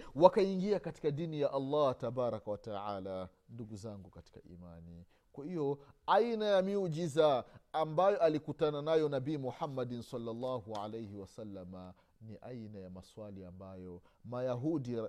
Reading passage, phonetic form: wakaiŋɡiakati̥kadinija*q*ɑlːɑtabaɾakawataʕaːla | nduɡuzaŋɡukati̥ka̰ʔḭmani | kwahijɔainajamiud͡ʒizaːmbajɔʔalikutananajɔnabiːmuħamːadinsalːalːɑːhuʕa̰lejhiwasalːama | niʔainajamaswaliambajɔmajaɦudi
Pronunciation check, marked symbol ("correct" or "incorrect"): incorrect